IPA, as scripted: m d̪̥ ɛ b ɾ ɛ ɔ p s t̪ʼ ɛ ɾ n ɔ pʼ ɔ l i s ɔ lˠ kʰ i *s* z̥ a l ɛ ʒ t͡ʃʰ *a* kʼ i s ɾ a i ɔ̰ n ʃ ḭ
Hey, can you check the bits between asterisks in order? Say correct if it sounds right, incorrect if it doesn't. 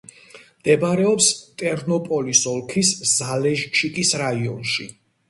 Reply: correct, incorrect

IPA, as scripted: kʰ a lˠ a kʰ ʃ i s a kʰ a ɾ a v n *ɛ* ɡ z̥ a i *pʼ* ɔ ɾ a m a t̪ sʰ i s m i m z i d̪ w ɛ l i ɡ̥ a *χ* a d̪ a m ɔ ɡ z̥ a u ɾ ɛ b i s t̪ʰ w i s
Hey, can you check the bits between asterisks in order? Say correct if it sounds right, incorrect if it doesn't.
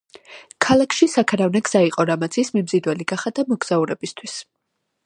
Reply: correct, incorrect, correct

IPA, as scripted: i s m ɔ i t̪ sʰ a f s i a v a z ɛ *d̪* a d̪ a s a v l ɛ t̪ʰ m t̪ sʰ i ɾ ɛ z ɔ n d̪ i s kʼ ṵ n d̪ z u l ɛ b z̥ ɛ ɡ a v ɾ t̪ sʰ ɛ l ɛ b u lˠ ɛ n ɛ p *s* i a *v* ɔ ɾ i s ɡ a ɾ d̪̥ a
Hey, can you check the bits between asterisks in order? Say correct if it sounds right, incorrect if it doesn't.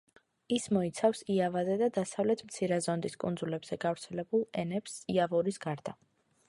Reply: correct, correct, correct

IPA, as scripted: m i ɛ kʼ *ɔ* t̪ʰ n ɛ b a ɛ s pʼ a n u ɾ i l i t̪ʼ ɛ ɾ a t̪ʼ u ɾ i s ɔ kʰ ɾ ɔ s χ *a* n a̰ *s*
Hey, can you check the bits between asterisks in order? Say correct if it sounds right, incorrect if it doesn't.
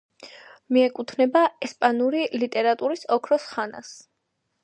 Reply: incorrect, correct, correct

